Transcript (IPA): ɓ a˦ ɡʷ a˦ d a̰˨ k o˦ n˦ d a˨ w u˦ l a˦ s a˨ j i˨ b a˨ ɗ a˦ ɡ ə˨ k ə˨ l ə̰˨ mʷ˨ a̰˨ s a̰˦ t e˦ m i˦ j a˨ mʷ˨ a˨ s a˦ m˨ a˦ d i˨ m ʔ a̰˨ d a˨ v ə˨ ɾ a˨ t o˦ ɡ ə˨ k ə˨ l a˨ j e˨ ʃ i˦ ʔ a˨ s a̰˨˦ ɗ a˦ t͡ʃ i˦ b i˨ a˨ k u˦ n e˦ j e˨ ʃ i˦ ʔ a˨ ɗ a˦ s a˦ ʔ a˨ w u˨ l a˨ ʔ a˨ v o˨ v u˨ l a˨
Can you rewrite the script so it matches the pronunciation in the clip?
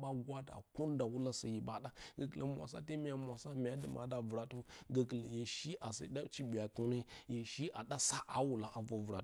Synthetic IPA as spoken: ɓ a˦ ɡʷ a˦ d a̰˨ k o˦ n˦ d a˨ w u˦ l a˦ s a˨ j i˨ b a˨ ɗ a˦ ɡ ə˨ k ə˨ l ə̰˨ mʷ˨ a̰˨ s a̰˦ t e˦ m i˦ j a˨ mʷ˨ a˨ s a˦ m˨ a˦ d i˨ m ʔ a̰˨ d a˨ v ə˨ ɾ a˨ t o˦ ɡ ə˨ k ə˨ l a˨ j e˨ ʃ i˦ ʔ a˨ s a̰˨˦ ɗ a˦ t͡ʃ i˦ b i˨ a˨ k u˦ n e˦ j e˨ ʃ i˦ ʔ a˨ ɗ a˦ s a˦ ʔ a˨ w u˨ l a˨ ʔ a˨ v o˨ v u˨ ɾ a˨